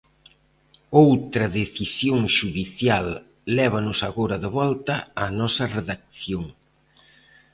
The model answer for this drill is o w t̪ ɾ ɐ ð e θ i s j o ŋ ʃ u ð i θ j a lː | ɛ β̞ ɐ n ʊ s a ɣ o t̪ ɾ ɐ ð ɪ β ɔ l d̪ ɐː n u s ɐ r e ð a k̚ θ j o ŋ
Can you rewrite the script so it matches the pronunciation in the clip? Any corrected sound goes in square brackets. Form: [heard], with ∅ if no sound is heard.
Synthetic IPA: o w t̪ ɾ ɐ ð e θ i s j o ŋ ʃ u ð i θ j a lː | ɛ β̞ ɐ n ʊ s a ɣ o [∅] ɾ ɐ ð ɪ β ɔ l [t̪] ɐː n [ɔ] s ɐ r e ð a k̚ θ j o ŋ